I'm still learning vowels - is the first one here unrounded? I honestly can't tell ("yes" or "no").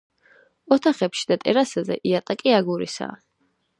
no